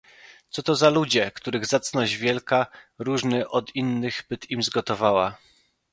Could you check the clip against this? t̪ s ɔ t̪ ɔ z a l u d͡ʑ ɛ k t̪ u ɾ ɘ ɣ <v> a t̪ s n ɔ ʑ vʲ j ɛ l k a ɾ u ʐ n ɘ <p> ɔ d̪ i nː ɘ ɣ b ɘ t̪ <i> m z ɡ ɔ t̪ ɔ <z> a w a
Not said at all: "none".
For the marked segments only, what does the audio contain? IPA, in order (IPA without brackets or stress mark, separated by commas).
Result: z, ʔ, i, v